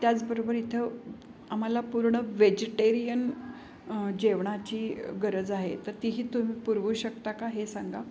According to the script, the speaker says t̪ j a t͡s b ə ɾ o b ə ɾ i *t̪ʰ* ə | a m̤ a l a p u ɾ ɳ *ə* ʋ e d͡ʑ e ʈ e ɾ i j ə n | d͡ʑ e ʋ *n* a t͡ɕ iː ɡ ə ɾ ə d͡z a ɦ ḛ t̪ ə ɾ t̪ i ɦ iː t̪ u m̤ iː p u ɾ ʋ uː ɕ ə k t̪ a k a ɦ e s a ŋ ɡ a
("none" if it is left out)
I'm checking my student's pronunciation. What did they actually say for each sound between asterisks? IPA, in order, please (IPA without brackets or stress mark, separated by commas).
t̪ʰ, ə, ɳ